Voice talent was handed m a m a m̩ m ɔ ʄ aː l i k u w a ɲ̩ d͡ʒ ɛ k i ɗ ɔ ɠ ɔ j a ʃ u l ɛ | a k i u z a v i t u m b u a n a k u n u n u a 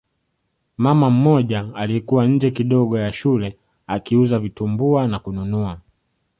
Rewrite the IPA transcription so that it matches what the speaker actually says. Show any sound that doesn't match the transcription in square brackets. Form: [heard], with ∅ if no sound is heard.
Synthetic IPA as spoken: m a m a m̩ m ɔ ʄ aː l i k u w a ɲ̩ d͡ʒ ɛ k i ɗ ɔ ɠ ɔ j a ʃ u l ɛ | a k i u z a v i t u m b u a n a k u n u n u a